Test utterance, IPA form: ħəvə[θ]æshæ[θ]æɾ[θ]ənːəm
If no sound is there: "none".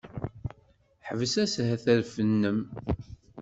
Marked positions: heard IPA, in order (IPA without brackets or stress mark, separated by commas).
s, θ, f